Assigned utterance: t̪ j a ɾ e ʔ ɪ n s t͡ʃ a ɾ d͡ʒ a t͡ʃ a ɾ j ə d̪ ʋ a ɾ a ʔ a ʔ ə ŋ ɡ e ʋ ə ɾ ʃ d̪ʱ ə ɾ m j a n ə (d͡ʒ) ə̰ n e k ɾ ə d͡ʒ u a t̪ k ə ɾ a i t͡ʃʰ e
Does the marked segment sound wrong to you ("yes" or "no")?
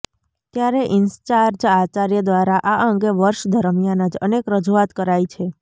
no